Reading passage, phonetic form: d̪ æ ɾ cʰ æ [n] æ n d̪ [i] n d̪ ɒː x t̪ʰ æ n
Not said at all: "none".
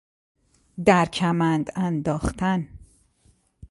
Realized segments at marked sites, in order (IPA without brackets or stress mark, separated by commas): m, æ